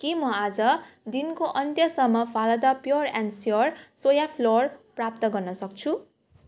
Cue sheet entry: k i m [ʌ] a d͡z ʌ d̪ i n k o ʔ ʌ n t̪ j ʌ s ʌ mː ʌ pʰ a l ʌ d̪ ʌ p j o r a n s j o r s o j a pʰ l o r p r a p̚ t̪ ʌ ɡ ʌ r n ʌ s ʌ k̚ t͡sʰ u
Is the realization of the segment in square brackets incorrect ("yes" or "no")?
no